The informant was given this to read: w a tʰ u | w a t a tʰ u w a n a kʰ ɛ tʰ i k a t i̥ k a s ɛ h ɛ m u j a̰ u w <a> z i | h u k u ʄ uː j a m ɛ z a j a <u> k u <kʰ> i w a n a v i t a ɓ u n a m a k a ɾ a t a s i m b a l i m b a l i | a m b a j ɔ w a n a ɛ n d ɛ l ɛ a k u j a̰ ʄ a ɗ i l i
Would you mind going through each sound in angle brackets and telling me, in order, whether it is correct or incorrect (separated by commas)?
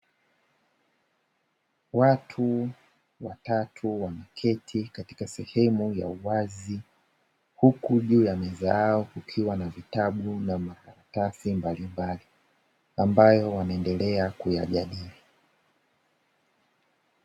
correct, incorrect, correct